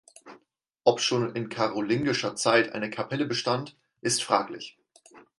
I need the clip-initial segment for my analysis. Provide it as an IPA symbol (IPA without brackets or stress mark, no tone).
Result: ʔ